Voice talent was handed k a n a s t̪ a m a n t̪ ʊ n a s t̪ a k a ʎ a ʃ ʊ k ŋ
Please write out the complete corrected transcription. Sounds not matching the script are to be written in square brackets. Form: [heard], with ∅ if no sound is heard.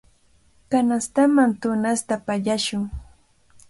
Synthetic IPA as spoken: k a n a s t̪ a m a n t̪ ʊ n a s t̪ a [p] a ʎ a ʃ ʊ [∅] ŋ